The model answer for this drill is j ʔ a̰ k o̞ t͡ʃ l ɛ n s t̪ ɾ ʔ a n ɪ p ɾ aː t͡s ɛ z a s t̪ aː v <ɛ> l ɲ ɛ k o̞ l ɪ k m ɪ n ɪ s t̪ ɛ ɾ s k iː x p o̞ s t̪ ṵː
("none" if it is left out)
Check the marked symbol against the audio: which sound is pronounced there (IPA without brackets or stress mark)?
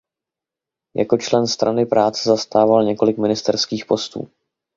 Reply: a